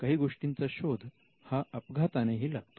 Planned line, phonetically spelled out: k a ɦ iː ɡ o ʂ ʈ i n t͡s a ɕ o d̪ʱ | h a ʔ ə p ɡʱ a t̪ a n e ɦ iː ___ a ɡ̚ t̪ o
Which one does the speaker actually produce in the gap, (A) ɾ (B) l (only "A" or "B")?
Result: B